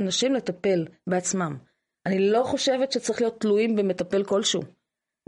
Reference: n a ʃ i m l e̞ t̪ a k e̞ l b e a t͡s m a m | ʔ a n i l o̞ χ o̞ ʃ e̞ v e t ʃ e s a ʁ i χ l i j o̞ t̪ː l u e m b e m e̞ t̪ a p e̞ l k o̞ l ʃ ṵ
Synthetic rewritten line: n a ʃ i m l e̞ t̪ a p e̞ l b e a t͡s m a m | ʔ a n i l o̞ χ o̞ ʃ e̞ v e t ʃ e t͡s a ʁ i χ l i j o̞ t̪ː l u i m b e m e̞ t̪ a p e̞ l k o̞ l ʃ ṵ